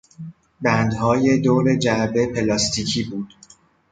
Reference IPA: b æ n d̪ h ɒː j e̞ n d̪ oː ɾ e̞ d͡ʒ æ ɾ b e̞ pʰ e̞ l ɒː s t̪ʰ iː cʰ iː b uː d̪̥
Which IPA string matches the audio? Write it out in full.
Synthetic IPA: b æ n d̪ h ɒː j e̞ d̪ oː ɾ e̞ d͡ʒ æ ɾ b e̞ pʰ e̞ l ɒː s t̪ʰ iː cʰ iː b uː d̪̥